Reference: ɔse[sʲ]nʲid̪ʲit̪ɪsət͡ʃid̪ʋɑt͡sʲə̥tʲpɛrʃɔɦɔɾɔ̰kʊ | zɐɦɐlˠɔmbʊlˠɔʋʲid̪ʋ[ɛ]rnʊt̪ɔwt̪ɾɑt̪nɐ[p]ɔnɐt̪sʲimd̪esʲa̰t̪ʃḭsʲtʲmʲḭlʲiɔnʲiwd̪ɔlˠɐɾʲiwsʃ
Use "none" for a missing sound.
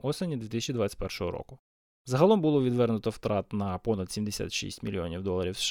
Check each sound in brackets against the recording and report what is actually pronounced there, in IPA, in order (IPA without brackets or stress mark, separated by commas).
none, ɛ, p